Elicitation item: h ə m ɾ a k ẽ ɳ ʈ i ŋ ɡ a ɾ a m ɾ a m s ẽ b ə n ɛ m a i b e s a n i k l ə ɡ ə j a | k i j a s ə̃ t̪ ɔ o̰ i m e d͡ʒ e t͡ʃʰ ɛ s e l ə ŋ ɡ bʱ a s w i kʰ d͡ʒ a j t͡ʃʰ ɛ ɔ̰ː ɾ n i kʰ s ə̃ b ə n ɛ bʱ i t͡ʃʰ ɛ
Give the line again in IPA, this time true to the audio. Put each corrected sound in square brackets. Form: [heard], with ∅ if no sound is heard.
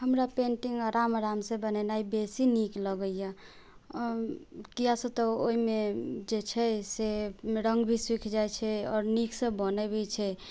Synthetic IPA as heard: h ə m ɾ a [p] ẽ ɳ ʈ i ŋ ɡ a ɾ a m ɾ a m s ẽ b ə n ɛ [n] a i b e s [i] n i k l ə ɡ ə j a | k i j a s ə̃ t̪ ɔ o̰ i m e d͡ʒ e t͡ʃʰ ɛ s e [ɾ] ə ŋ ɡ bʱ [i] s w i kʰ d͡ʒ a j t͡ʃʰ ɛ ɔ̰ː ɾ n i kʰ s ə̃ b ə n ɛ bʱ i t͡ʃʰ ɛ